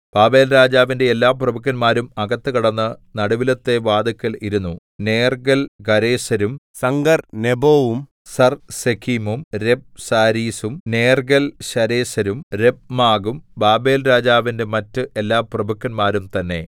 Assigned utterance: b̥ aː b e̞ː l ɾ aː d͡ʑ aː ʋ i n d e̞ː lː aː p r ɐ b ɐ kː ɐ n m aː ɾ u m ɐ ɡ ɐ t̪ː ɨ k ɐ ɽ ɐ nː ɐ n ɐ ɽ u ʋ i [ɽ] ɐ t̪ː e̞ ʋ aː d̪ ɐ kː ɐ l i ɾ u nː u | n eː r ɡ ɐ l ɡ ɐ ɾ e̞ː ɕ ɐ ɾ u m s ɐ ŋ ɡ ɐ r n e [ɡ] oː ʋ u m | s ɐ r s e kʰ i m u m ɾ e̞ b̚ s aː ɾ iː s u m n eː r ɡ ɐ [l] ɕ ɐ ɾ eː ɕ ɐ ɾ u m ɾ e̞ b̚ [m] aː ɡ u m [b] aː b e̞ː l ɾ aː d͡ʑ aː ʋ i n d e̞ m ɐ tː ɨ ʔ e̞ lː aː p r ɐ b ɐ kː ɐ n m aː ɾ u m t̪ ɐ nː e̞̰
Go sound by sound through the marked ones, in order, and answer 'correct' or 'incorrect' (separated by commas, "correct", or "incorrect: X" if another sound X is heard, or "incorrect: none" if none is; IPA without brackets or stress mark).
incorrect: l, incorrect: b, correct, correct, correct